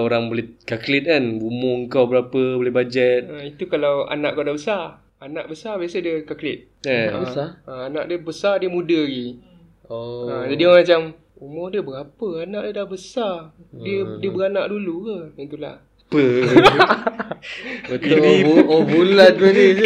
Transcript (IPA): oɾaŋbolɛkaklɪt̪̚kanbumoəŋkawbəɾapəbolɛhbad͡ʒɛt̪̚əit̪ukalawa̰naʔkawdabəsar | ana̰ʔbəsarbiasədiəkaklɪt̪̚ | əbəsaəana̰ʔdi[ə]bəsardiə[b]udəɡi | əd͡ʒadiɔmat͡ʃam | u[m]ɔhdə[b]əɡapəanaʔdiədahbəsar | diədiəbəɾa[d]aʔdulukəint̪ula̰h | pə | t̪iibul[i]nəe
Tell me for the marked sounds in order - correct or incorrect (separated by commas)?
correct, incorrect, correct, correct, incorrect, incorrect